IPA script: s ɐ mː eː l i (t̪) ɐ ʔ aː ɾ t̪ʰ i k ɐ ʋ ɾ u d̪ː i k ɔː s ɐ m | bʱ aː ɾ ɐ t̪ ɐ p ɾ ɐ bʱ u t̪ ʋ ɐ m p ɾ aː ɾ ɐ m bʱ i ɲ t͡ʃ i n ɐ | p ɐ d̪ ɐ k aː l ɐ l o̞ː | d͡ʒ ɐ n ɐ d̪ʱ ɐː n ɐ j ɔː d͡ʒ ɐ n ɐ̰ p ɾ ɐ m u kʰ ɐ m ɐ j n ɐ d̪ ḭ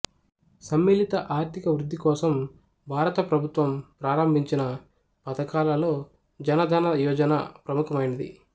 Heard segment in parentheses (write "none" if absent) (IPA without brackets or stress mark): t̪